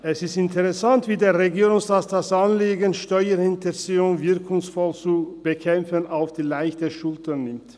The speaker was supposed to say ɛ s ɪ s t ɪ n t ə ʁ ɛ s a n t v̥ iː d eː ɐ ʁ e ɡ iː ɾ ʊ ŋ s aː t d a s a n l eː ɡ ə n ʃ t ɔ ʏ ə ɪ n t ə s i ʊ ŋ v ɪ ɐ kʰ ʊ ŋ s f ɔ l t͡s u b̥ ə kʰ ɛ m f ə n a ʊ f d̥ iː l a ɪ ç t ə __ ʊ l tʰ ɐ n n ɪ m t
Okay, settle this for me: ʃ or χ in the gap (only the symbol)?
ʃ